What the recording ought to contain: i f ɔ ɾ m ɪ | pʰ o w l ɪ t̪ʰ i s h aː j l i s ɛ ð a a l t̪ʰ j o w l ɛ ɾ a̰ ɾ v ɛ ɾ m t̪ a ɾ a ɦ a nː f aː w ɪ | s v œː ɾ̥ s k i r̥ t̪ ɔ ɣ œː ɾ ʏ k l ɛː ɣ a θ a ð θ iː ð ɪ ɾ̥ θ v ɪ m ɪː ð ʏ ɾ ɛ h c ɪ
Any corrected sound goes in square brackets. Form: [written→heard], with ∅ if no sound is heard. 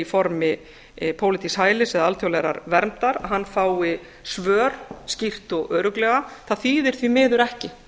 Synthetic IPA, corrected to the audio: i f ɔ ɾ m ɪ | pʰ o w l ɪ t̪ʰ i s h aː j l [i→ɪ] s ɛ ð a a l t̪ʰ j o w l ɛ ɾ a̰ ɾ v ɛ ɾ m t̪ a ɾ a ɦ a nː f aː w ɪ | s v œː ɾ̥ s [k→c] i r̥ t̪ ɔ ɣ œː ɾ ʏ k l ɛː ɣ a θ a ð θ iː ð ɪ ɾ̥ θ v [ɪ→i] m ɪː ð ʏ ɾ ɛ h c ɪ

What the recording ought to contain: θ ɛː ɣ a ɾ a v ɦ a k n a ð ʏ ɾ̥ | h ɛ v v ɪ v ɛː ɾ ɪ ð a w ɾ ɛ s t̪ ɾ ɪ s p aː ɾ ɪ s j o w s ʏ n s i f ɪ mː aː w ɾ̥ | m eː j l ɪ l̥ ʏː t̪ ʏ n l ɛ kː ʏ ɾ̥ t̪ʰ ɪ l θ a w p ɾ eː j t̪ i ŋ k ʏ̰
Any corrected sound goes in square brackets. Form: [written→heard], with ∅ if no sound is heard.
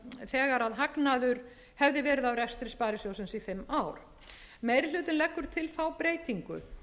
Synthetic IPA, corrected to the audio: θ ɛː ɣ a ɾ a [v→ð] ɦ a k n a ð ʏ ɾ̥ | h ɛ v [v→ð] ɪ v ɛː ɾ ɪ ð a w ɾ ɛ s t̪ ɾ ɪ s p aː ɾ ɪ s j o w s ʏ n s i f ɪ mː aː w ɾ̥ | m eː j [l→ɾ] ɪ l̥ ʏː t̪ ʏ n l ɛ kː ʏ ɾ̥ t̪ʰ ɪ l θ a w p ɾ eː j t̪ i ŋ k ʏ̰

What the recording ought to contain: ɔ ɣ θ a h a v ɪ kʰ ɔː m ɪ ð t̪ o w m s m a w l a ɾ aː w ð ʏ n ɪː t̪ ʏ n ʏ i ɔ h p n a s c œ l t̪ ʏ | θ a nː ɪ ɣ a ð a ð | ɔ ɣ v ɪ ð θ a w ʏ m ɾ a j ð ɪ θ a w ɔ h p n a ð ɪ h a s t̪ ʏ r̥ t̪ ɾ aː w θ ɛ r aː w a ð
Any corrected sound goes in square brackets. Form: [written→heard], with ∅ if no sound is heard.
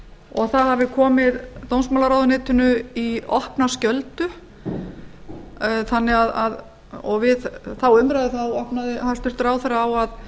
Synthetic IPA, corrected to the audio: ɔ ɣ θ a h a v ɪ kʰ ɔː m ɪ ð t̪ o w [m→n] s m a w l a ɾ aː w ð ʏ n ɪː t̪ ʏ n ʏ i ɔ h p n a s c œ l t̪ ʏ | θ a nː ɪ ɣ a ð a ð | ɔ ɣ v ɪ ð θ a w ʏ m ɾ a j ð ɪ θ a w ɔ h p n a ð ɪ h a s t̪ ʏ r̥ t̪ ɾ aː w θ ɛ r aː w a ð

